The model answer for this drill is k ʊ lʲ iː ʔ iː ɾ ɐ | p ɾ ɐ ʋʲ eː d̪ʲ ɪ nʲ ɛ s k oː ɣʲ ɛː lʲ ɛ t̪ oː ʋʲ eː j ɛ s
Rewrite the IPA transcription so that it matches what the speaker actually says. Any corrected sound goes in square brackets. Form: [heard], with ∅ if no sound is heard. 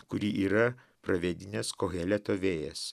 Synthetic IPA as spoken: k ʊ [ɾʲ] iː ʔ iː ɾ ɐ | p ɾ ɐ ʋʲ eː d̪ʲ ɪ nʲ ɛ s k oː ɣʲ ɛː lʲ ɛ t̪ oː ʋʲ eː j ɛ s